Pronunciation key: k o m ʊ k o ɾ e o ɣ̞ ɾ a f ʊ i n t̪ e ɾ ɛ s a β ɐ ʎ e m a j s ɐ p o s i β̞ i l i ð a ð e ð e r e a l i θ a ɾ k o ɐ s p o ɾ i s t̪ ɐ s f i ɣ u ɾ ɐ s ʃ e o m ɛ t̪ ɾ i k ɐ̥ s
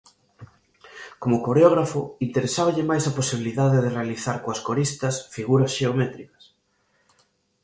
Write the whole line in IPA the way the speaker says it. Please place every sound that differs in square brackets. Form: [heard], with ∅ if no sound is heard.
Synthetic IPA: k o m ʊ k o ɾ e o ɣ̞ ɾ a f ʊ i n t̪ e ɾ [e] s a β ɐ ʎ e m a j s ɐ p o s i β̞ i l i ð a ð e ð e r e a l i θ a ɾ k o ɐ s [k] o ɾ i s t̪ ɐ s f i ɣ u ɾ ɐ s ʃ e o m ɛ t̪ ɾ i k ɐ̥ s

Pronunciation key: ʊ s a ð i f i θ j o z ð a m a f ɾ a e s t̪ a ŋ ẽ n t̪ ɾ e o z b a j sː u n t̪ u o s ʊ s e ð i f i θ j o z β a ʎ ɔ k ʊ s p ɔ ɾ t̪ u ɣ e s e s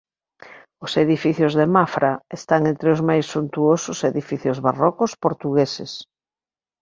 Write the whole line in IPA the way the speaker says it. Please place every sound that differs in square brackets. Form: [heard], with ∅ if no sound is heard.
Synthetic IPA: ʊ s [e] ð i f i θ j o z ð [e] m a f ɾ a e s t̪ a ŋ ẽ n t̪ ɾ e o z [m] a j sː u n t̪ u o s ʊ s e ð i f i θ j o z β a [r] ɔ k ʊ s p [o] ɾ t̪ u ɣ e s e s

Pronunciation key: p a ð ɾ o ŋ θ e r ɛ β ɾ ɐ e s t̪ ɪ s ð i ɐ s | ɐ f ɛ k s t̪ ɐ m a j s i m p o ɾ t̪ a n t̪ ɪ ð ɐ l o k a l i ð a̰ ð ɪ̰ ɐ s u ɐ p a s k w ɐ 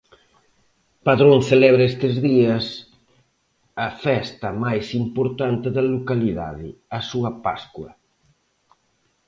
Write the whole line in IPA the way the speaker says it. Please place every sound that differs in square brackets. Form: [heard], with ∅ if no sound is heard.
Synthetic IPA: p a ð ɾ o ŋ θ e [l] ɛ β ɾ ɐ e s t̪ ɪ [z] ð i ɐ s | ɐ f ɛ [∅] s t̪ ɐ m a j s i m p o ɾ t̪ a n t̪ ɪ ð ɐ l o k a l i ð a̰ ð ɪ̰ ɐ s u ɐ p a s k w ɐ

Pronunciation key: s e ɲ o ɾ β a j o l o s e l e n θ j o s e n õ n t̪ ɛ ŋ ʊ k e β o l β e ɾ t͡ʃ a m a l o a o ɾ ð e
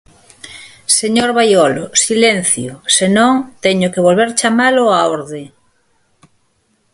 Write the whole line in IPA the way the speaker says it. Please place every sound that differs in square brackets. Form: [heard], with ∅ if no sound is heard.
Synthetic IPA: s e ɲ o ɾ β a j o l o s [i] l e n θ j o s e n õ [ŋ] t̪ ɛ [ɲ] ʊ k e β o l β e ɾ t͡ʃ a m a l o a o ɾ ð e

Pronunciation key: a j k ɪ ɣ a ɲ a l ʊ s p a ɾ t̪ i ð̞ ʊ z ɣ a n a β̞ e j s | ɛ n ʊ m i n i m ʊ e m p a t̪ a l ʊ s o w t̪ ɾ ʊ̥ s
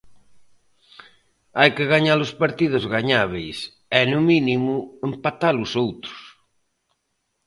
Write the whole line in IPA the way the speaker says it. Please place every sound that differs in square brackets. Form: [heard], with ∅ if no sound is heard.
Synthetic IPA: a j k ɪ ɣ a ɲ a l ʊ s p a ɾ t̪ i ð̞ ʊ z ɣ a [ɲ] a β̞ e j s | ɛ n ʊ m i n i m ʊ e m p a t̪ a l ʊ s o w t̪ ɾ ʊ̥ s

